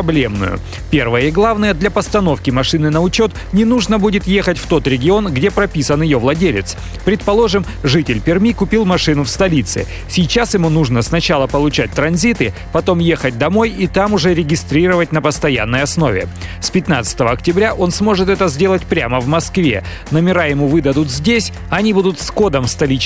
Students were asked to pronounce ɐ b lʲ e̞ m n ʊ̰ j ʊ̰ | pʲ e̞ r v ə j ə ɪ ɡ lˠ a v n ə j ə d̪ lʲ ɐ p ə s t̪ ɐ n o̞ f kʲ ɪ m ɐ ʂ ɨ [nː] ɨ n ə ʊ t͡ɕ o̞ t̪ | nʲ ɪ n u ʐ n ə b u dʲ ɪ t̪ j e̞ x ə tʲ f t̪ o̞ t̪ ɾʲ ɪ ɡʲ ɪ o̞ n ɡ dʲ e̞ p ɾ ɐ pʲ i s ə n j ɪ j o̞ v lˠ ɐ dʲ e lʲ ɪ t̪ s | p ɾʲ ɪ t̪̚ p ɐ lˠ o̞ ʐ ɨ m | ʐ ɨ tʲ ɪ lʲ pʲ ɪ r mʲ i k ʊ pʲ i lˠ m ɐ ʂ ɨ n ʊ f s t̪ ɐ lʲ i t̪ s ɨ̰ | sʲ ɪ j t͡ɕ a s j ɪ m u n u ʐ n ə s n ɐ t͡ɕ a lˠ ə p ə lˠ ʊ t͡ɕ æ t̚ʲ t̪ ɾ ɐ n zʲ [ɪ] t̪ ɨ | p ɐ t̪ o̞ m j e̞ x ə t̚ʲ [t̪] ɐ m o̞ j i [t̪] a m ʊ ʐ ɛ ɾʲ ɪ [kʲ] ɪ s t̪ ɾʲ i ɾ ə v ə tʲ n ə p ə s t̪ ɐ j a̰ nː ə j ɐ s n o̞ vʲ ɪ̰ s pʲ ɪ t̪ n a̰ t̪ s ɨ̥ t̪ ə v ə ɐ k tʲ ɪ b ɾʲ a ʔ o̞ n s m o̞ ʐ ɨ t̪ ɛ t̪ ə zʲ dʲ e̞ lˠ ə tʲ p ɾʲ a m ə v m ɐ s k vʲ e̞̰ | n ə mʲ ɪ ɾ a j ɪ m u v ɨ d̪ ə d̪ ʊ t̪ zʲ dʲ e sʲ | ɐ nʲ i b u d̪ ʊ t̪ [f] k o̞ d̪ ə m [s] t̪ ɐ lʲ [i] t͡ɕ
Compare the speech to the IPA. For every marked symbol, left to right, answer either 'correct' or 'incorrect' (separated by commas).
incorrect, incorrect, incorrect, correct, incorrect, incorrect, correct, correct